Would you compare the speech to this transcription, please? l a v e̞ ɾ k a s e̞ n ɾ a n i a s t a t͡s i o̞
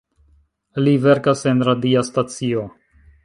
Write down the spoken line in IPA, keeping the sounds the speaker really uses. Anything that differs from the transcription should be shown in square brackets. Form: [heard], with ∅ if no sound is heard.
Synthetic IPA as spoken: l [i] v e̞ ɾ k a s e̞ n ɾ a [d] i a s t a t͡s i o̞